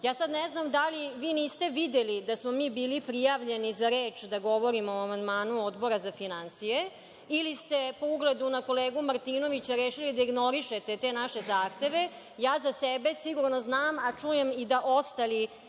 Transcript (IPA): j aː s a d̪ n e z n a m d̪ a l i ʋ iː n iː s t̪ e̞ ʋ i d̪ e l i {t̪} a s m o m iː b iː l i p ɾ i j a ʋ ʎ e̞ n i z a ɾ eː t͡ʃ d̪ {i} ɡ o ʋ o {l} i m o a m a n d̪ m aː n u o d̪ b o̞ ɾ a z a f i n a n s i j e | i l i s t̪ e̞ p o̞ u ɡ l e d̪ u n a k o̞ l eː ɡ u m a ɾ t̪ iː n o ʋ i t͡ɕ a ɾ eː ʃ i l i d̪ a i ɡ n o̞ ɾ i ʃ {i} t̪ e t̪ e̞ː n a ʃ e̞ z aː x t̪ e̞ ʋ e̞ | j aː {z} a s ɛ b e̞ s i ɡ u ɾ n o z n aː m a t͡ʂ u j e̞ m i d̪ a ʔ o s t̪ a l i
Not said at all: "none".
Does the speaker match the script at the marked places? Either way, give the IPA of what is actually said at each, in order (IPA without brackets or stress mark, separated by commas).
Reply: d̪, a, ɾ, e, z